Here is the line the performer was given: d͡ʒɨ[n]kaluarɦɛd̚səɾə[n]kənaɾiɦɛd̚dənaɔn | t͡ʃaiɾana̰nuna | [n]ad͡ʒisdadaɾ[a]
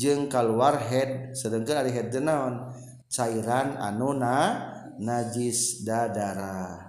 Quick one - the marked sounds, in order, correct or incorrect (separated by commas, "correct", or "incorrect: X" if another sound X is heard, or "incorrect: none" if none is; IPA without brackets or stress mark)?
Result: incorrect: ŋ, incorrect: ŋ, correct, correct